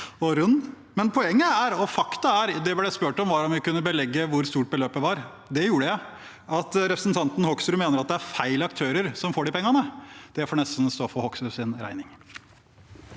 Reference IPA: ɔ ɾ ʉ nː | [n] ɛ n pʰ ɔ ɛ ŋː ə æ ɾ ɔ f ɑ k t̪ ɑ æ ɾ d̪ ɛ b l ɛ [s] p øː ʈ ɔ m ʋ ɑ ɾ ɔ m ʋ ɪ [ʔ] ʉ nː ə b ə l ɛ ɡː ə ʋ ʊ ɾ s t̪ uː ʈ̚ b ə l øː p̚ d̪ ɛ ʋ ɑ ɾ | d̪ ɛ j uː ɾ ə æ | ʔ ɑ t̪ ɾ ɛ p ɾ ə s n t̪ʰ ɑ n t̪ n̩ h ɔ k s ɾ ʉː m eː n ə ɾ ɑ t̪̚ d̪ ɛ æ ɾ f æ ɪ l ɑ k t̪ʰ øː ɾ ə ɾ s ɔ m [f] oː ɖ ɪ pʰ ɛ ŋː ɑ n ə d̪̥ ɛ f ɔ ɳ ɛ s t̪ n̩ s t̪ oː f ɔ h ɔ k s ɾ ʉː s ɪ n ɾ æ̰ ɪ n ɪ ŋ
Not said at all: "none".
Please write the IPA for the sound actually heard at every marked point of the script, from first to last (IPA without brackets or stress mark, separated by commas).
m, s, k, f